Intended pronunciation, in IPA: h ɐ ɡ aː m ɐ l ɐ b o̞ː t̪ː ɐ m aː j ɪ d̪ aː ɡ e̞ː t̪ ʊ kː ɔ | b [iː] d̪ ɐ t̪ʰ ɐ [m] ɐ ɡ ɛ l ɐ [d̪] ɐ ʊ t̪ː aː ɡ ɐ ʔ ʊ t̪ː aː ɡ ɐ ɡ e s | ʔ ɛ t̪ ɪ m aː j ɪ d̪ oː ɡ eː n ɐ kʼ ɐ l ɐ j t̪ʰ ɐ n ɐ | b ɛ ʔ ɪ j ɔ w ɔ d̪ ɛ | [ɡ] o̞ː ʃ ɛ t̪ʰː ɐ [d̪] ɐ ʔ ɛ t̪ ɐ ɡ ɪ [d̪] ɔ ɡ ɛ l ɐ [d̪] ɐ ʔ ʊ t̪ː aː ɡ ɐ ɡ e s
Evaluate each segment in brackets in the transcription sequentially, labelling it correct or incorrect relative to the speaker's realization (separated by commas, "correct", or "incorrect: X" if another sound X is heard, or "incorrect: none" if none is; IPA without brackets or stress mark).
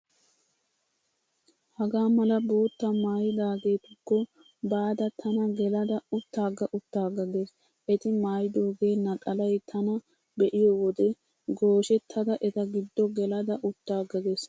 incorrect: aː, incorrect: n, correct, correct, correct, incorrect: d̪ː, correct